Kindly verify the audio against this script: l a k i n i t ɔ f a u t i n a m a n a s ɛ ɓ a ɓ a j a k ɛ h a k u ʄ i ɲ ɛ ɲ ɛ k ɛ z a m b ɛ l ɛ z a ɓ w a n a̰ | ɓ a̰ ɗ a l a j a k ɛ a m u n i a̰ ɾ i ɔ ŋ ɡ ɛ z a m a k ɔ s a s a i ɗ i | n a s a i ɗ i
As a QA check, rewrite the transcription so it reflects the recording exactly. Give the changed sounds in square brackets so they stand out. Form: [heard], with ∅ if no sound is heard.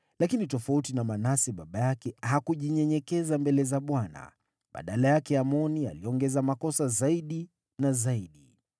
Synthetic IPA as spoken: l a k i n i t ɔ f a u t i n a m a n a s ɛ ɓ a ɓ a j a k ɛ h a k u ʄ i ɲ ɛ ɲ ɛ k ɛ z a m b ɛ l ɛ z a ɓ w a n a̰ | ɓ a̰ ɗ a l a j a k ɛ a m [ɔ] n i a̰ [l] i ɔ ŋ ɡ ɛ z a m a k ɔ s a [z] a i ɗ i | n a [z] a i ɗ i